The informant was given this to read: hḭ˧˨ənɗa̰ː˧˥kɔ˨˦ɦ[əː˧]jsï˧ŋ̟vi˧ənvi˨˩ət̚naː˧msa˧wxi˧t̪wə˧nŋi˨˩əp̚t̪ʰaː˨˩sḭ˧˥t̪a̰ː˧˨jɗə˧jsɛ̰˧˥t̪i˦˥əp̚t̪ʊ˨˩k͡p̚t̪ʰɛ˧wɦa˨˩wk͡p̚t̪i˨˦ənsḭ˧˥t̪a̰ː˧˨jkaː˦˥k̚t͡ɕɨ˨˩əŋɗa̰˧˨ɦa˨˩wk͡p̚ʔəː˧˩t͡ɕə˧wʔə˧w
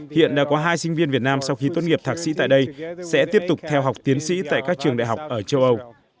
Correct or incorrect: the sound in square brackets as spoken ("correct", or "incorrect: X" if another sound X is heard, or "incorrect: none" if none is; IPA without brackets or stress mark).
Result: incorrect: aː˧